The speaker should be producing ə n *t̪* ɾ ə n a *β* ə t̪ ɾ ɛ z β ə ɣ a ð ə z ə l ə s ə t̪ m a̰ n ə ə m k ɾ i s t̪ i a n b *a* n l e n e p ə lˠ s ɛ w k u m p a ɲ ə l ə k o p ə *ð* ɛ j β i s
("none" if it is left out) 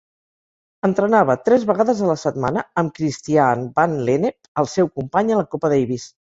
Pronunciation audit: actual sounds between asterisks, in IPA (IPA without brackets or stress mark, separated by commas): t̪, β, a, ð